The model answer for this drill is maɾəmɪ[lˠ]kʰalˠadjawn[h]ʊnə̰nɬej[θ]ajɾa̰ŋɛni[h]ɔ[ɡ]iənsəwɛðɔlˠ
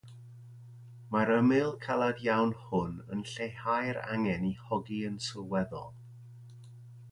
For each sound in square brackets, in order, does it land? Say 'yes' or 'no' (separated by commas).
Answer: yes, yes, no, yes, yes